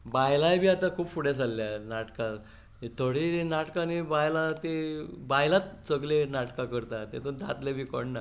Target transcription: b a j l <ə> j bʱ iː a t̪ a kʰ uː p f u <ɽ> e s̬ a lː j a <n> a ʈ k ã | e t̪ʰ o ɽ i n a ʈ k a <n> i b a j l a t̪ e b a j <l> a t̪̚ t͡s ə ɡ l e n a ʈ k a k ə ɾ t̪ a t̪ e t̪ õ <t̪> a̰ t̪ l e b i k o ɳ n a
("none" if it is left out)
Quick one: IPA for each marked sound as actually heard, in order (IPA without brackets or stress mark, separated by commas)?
a, ɽ, n, n, l, d̪